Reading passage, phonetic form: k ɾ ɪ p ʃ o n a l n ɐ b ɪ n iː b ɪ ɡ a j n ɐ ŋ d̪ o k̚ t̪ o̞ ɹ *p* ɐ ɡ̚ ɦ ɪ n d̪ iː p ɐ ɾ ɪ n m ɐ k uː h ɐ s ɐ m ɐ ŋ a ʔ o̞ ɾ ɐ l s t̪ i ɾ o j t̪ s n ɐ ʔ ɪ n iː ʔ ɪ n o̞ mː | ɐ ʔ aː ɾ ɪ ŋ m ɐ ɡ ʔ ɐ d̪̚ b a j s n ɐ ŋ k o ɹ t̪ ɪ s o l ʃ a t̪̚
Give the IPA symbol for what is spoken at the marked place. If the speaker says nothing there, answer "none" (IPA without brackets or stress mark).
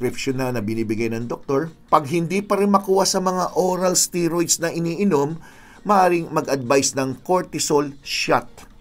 p